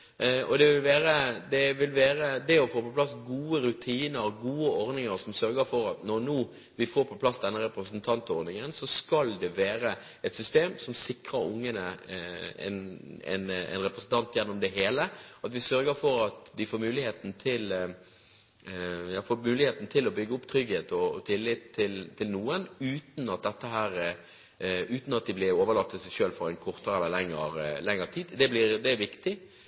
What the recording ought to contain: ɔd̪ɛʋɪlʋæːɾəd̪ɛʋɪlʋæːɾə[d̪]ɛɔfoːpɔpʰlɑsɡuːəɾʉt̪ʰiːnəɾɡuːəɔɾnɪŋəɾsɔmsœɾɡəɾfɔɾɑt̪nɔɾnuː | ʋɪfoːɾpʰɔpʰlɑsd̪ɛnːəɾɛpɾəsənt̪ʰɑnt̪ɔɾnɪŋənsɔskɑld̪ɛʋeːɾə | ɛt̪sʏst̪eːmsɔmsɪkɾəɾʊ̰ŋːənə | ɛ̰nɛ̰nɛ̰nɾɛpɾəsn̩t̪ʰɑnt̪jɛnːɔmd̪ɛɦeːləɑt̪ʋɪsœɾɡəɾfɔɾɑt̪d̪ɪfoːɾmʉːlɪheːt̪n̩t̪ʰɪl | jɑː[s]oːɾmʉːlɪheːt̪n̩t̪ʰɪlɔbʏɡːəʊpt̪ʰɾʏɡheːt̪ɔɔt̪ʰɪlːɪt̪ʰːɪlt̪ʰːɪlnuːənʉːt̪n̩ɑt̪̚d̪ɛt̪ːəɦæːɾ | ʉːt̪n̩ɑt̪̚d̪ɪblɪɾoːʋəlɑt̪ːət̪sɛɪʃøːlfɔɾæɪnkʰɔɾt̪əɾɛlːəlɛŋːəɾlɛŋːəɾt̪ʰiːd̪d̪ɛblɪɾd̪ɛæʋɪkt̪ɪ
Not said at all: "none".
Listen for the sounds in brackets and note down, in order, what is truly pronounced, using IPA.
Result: d̪, f

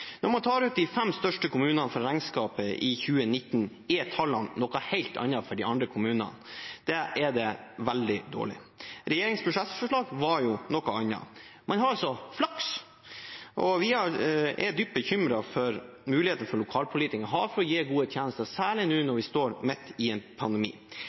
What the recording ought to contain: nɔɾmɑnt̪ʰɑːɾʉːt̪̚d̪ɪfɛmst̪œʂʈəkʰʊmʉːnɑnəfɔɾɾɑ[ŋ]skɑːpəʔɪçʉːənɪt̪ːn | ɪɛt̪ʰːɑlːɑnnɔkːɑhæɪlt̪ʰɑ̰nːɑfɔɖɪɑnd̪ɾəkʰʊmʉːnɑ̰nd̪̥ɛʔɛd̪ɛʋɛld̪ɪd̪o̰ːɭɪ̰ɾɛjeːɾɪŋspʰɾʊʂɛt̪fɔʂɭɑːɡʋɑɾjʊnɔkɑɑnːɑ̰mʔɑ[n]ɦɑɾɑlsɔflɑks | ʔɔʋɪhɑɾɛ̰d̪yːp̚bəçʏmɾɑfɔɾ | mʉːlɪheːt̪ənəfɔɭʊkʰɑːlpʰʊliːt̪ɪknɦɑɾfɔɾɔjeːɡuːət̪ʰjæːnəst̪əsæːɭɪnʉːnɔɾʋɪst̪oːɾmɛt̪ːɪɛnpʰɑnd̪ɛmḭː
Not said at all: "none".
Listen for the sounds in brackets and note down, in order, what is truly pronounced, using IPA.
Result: ŋ, n

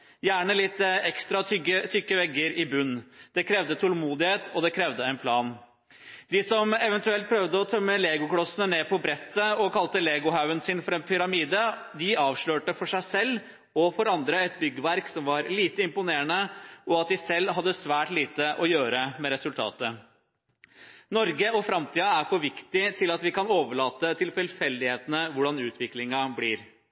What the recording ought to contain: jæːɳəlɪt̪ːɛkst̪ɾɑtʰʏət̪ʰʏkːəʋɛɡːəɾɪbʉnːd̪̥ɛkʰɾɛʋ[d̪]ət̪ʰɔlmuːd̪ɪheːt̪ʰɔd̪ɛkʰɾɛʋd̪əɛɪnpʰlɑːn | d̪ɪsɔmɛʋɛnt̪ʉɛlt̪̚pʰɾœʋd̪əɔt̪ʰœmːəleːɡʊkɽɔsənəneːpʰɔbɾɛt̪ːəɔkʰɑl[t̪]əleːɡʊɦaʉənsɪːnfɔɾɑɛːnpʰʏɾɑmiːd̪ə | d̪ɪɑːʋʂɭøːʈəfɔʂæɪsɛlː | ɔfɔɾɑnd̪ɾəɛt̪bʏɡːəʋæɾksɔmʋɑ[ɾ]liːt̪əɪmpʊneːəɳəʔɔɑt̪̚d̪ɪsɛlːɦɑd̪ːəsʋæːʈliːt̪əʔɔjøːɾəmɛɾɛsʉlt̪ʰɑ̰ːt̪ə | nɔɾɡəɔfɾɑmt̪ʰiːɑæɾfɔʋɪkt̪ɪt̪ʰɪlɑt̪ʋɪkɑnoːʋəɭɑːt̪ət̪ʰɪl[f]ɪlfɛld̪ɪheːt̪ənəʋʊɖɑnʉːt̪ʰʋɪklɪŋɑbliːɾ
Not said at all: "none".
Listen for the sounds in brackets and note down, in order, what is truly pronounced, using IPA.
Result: d̪, t̪, ɾ, f

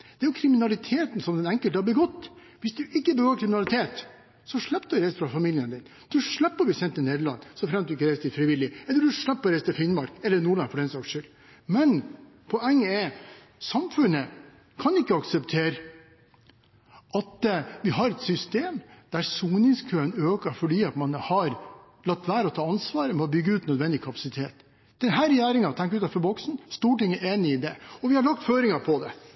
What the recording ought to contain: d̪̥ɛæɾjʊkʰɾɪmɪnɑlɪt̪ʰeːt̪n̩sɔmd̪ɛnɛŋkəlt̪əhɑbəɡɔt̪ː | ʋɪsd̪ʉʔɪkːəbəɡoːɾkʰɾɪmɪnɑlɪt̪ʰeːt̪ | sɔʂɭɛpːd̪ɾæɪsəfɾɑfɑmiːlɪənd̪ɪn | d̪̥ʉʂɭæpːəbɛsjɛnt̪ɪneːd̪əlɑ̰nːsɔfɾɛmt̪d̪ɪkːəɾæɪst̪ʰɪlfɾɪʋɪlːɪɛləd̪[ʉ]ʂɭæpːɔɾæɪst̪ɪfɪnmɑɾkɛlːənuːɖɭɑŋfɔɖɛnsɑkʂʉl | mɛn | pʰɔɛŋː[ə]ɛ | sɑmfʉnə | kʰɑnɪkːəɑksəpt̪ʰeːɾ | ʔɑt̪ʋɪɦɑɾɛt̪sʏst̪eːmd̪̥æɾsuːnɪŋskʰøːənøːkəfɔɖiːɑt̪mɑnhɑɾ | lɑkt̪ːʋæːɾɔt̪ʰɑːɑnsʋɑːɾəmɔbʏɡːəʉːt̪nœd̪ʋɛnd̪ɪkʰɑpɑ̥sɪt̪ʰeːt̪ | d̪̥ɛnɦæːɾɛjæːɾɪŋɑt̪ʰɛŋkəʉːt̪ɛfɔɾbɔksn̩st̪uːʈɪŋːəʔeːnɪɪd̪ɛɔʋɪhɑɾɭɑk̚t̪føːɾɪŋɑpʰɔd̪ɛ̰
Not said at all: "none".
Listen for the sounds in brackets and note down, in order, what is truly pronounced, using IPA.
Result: ʉ, ə

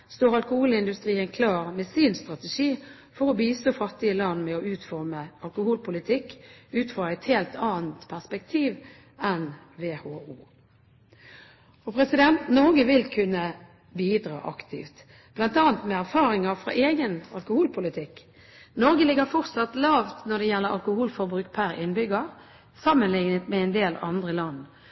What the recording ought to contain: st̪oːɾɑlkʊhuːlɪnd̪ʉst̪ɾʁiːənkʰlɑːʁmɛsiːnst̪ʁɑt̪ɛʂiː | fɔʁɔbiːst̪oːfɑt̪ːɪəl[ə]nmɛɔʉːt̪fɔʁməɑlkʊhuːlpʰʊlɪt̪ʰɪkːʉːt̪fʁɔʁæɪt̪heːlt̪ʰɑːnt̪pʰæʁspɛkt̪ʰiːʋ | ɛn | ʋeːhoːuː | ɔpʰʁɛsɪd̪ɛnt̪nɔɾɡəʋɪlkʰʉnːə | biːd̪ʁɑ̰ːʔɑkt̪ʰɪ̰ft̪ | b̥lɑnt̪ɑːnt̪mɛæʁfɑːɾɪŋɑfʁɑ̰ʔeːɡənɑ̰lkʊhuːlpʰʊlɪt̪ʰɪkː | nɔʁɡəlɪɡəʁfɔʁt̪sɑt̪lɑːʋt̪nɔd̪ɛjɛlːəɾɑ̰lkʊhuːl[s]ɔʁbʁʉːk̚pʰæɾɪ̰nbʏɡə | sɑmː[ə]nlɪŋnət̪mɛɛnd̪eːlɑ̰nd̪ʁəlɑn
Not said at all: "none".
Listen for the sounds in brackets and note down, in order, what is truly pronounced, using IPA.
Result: ɑ, f, ə

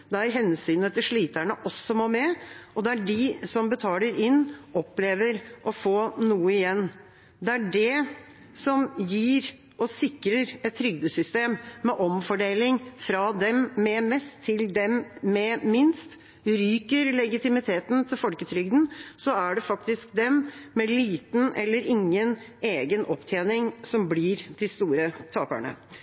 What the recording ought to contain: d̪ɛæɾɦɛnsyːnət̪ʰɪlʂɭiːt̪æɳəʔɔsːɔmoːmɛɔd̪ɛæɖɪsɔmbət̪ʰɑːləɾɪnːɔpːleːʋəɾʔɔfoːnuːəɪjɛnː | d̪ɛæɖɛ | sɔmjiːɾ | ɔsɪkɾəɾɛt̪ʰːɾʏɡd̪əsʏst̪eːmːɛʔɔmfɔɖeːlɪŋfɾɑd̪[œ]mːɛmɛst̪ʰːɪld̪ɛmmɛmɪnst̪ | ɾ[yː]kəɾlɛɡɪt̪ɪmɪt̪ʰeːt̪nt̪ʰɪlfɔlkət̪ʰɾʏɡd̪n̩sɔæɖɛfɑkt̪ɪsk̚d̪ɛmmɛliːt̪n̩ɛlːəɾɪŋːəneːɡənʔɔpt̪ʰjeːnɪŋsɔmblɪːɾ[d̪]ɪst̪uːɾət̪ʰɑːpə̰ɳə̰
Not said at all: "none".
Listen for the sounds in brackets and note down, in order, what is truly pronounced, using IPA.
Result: ɛ, yː, d̪

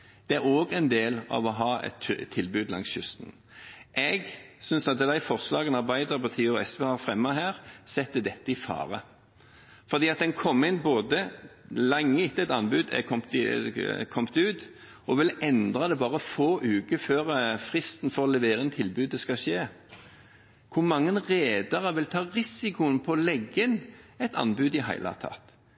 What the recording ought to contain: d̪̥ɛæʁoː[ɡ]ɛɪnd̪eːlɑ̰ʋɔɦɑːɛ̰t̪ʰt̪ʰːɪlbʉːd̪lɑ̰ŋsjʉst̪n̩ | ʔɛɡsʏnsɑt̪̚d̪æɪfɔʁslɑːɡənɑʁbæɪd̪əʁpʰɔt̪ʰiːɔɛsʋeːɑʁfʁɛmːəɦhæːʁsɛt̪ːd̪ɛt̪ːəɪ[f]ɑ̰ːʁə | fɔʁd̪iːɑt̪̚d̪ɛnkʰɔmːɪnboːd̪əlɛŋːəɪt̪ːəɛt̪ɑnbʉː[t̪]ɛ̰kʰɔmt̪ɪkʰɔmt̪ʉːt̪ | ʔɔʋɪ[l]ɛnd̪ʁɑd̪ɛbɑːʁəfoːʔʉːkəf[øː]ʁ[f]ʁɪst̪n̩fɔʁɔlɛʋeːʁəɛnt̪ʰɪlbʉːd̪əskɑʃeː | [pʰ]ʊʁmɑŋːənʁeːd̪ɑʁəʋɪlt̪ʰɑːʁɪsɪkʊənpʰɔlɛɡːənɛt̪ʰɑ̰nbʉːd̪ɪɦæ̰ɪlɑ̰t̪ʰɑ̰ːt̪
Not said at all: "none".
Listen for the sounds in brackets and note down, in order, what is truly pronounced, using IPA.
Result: ɡ, f, d̪, l, øː, f, kʰ

